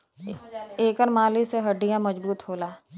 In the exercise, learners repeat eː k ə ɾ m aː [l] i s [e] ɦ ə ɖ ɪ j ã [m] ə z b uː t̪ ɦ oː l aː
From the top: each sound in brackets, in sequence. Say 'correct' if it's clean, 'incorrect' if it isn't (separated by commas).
correct, correct, correct